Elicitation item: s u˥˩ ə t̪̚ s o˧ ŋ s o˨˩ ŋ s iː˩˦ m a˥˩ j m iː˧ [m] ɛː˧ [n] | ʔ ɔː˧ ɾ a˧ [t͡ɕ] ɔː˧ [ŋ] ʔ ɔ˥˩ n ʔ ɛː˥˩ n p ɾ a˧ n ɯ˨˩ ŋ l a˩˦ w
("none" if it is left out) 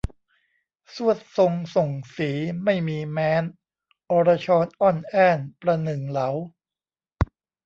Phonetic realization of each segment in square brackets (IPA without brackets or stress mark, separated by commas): m, n, t͡ɕʰ, n